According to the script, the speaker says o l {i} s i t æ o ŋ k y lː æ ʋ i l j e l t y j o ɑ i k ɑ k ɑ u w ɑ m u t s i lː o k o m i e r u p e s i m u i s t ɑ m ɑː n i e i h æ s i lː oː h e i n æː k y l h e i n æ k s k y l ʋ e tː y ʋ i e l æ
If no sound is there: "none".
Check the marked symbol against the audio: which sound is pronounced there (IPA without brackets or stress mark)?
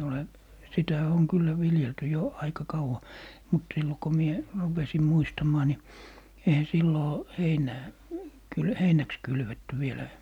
e